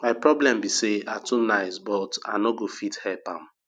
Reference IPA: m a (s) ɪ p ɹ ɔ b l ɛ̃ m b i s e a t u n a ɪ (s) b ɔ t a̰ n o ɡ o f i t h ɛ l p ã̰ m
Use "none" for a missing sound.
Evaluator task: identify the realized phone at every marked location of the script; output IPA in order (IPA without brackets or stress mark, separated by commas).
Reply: none, s